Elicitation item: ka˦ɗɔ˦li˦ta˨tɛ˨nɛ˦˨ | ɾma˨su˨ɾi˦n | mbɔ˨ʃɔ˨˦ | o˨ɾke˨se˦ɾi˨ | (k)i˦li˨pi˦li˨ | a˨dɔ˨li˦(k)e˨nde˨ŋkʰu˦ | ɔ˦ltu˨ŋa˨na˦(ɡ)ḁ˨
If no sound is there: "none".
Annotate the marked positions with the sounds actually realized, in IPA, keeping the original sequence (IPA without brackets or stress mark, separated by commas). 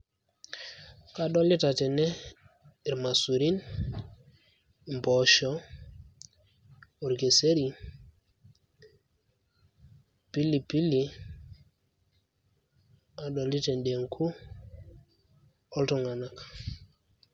p, t, k